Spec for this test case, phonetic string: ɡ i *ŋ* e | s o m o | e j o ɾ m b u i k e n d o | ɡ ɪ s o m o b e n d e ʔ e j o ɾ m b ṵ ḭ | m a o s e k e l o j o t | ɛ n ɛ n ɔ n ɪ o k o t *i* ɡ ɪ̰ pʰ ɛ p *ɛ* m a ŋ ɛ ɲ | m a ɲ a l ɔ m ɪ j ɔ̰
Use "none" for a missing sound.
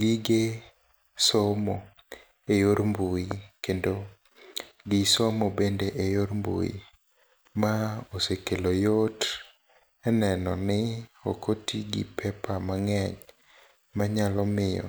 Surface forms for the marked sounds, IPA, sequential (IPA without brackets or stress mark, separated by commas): ɡ, i, a